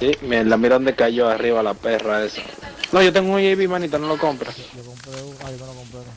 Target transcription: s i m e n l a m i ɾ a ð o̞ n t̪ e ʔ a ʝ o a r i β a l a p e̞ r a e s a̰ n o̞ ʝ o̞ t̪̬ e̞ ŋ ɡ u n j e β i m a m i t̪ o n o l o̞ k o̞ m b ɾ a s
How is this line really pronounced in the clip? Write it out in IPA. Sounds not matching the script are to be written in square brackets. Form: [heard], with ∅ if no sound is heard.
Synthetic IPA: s i m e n l a m i ɾ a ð o̞ n [d̪] e [k] a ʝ o a r i β a l a p e̞ r a e s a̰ n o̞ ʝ o̞ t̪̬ e̞ ŋ ɡ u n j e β i m a [n] i t̪ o n o l o̞ k o̞ m [p] ɾ a s